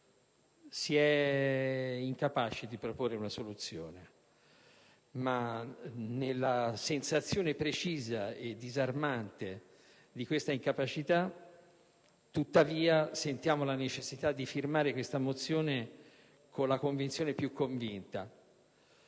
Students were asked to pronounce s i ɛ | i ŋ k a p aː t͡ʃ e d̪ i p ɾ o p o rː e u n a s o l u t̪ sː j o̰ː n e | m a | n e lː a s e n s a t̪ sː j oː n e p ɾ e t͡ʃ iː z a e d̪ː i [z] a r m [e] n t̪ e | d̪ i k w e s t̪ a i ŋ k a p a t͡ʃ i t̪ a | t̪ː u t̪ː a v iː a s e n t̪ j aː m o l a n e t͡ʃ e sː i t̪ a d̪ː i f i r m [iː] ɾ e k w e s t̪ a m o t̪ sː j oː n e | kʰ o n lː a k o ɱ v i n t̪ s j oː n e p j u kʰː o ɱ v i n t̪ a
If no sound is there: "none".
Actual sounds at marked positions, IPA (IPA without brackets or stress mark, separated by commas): z, a, aː